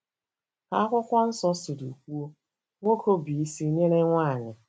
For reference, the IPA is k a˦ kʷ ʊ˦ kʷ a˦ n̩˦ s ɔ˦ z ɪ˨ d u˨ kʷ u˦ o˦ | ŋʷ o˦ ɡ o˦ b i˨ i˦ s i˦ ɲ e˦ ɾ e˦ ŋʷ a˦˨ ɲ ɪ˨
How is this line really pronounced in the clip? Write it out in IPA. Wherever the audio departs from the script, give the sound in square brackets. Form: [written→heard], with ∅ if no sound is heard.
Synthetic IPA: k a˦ kʷ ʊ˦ kʷ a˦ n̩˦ s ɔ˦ [z→s] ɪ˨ d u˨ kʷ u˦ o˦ | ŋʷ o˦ [ɡ→k] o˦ b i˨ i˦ s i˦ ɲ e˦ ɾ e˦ ŋʷ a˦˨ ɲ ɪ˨

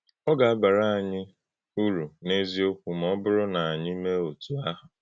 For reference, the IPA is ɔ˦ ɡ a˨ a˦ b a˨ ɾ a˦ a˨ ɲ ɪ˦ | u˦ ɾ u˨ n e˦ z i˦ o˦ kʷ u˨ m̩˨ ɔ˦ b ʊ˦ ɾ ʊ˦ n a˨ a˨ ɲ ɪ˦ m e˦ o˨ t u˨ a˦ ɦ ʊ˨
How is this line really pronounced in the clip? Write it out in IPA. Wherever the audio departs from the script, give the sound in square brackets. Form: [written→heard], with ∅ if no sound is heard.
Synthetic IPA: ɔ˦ ɡ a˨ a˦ b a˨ ɾ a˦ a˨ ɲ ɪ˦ | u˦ ɾ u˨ n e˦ z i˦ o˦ kʷ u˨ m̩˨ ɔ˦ b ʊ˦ ɾ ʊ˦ n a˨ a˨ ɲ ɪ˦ m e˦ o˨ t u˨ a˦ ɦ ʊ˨

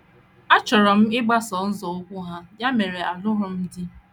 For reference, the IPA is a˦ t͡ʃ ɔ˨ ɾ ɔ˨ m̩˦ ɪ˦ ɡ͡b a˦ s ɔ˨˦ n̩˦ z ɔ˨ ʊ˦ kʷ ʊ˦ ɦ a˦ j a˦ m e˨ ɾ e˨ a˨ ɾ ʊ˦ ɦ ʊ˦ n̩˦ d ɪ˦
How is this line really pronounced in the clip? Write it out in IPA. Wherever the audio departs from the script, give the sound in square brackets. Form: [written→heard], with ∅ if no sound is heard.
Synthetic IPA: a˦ t͡ʃ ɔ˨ ɾ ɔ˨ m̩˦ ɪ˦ ɡ͡b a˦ s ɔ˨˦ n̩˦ z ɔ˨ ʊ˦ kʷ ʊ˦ ɦ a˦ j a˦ m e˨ ɾ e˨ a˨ [ɾ→l] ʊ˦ ɦ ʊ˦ [n̩˦→m̩˦] d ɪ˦

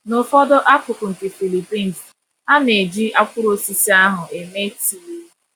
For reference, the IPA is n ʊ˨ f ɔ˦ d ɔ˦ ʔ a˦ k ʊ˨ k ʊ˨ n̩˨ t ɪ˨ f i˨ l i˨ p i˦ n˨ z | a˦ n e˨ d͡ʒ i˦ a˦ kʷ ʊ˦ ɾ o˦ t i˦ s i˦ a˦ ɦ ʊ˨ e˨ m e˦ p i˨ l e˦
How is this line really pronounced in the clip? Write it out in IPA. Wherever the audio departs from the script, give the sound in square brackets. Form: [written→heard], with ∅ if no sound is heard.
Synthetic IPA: n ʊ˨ f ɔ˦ d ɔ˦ ʔ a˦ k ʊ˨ k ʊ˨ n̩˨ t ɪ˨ f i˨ l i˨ p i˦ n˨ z | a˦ n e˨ d͡ʒ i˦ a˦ kʷ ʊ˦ ɾ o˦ [t→s] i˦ s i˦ a˦ ɦ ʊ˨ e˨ m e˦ [p→t] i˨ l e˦

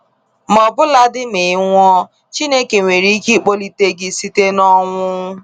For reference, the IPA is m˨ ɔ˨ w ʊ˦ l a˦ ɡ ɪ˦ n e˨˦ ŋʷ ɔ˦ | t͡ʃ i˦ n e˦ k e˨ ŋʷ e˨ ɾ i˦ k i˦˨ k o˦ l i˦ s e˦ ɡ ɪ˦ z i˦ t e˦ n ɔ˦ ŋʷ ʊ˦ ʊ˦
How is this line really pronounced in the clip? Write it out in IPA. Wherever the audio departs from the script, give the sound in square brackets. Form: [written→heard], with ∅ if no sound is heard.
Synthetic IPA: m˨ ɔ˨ [w→b] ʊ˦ l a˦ [ɡ→d] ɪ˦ [n→m] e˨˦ ŋʷ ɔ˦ | t͡ʃ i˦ n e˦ k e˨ ŋʷ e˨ ɾ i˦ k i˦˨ [k→k͡p] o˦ l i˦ [s→t] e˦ ɡ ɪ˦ [z→s] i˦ t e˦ n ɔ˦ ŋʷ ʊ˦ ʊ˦

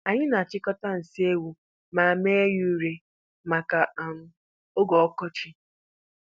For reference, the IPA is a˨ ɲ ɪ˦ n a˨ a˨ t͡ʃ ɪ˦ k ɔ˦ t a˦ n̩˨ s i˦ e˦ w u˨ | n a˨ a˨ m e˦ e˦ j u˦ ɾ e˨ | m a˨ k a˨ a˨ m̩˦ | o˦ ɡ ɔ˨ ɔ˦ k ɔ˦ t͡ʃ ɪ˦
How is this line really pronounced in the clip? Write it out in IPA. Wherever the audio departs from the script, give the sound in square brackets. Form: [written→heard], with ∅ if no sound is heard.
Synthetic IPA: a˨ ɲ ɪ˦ n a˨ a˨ t͡ʃ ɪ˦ k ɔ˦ t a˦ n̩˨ s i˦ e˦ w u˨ | [n→m] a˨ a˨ m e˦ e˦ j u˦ ɾ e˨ | m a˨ k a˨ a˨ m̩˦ | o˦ ɡ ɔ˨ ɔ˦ k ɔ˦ t͡ʃ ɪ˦

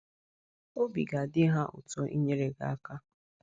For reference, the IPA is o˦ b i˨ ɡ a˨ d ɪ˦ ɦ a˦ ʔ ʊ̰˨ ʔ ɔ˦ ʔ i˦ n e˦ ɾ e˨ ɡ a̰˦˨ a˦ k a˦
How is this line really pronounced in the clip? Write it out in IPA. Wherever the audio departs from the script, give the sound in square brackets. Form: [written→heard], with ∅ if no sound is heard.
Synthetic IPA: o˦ b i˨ ɡ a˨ d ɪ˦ ɦ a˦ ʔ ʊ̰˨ [ʔ→t] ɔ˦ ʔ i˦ [n→ɲ] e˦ ɾ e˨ ɡ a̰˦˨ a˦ k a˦

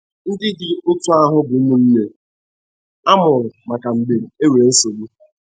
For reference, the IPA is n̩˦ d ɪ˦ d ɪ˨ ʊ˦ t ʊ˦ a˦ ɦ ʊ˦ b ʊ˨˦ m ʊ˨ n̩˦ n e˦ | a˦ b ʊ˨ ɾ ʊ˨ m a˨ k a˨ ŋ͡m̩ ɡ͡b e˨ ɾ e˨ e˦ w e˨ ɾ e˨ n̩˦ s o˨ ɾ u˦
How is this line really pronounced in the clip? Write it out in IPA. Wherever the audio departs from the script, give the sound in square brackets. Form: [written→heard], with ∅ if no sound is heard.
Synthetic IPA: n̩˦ d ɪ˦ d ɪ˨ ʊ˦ t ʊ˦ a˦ ɦ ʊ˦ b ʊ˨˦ m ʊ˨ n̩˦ n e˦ | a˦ [b→m] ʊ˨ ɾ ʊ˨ m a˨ k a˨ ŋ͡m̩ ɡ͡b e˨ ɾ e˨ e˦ w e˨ ɾ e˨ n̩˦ s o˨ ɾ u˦

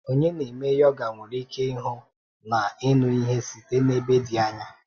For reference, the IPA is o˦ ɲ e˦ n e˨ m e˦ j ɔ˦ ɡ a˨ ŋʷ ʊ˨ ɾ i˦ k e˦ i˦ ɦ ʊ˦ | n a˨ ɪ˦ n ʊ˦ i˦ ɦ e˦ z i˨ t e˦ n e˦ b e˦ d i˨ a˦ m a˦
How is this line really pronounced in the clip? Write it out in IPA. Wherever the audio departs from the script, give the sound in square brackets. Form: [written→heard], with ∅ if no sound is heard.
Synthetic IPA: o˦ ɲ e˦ n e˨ m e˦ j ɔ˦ ɡ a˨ ŋʷ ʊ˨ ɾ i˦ k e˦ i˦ ɦ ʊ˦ | n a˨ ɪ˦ n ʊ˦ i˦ ɦ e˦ [z→s] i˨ t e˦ n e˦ b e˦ d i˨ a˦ [m→ɲ] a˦

